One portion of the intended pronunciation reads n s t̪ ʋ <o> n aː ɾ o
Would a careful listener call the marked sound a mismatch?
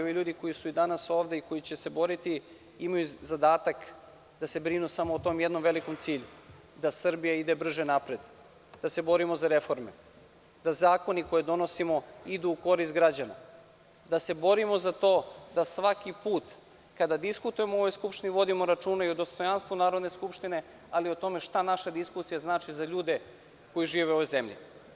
yes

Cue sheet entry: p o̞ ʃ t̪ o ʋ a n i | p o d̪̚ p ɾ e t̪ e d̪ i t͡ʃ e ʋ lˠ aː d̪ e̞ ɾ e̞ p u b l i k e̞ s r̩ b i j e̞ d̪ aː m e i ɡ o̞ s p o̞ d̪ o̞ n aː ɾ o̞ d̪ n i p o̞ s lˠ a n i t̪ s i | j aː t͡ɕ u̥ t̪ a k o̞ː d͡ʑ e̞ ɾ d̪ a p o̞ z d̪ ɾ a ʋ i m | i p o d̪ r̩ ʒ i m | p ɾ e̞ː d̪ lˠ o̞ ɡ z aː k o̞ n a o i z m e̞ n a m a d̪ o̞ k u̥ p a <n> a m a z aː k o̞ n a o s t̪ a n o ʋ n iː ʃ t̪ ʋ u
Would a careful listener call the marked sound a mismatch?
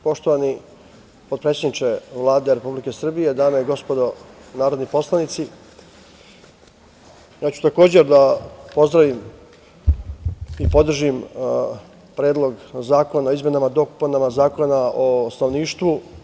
no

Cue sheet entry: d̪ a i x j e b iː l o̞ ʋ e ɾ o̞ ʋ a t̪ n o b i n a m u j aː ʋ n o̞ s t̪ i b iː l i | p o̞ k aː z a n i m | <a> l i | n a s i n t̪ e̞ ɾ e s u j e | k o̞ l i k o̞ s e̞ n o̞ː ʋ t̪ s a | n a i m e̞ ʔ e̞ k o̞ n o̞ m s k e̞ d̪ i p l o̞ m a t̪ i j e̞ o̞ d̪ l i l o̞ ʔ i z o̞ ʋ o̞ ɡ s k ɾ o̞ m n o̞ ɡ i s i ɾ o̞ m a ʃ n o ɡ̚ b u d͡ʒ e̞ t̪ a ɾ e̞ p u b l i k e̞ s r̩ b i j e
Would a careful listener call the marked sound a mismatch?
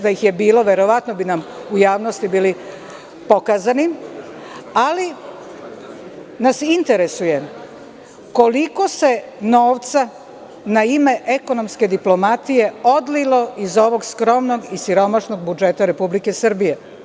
no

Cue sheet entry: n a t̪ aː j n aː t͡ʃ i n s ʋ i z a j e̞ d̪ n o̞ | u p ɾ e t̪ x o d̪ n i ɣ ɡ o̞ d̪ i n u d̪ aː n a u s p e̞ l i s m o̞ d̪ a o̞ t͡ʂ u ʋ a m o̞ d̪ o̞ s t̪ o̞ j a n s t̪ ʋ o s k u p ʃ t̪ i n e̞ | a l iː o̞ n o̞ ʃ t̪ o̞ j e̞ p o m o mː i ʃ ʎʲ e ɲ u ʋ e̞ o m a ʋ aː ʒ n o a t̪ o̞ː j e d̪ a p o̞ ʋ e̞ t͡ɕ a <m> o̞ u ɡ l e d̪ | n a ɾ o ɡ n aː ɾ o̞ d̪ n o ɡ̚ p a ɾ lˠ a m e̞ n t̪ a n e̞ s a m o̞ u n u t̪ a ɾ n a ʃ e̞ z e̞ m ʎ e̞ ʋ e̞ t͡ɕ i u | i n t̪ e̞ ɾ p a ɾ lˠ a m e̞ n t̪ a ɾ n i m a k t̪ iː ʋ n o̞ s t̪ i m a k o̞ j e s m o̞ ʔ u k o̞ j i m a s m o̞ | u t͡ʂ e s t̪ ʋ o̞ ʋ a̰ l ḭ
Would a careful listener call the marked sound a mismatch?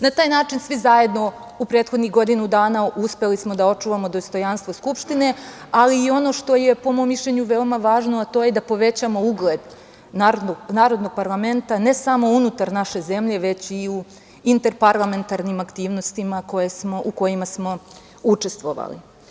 no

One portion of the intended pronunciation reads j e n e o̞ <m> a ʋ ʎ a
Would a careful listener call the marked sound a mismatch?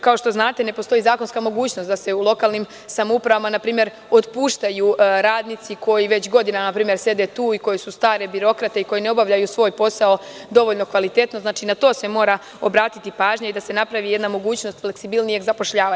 yes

